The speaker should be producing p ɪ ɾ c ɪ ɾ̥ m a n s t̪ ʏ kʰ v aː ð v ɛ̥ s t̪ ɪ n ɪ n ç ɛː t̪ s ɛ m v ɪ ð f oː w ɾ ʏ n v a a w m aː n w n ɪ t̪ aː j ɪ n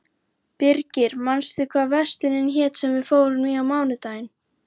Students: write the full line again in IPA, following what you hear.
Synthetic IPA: p ɪ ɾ c ɪ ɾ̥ m a n s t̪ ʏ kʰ v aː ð v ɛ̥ s t̪ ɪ n ɪ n ç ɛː t̪ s ɛ m v ɪ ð f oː w ɾ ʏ n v i a w m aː w n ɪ t̪ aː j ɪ n